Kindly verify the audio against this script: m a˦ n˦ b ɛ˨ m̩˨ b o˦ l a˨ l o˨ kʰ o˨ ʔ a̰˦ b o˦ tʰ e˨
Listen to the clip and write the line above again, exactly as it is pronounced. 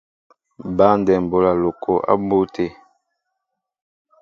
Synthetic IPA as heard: b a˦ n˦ d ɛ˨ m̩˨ b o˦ l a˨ l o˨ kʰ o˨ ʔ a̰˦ b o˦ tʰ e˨